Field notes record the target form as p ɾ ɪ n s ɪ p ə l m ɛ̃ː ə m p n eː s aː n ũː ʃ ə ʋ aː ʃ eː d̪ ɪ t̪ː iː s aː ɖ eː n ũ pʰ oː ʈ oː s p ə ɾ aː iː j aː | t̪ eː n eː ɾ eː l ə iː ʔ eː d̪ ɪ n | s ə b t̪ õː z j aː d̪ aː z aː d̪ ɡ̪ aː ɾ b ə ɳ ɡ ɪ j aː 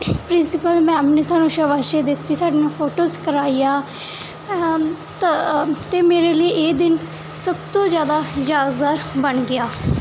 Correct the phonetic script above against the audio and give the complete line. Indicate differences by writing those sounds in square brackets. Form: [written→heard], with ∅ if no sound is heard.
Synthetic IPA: p ɾ ɪ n s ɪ p ə l m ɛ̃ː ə m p n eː s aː n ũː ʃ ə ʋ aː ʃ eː d̪ ɪ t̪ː iː s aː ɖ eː n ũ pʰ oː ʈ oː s [p→k] ə ɾ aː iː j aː | t̪ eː [n→m] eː ɾ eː l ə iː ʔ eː d̪ ɪ n | s ə b t̪ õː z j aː d̪ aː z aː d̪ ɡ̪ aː ɾ b ə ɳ ɡ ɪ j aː